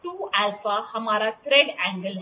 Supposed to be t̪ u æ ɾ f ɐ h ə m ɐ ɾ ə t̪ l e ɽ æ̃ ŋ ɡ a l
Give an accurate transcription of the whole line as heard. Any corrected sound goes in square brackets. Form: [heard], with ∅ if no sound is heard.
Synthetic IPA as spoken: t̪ u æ [l] f [a] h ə m [a] ɾ [a] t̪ [ɾ] e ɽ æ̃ ŋ ɡ [ə] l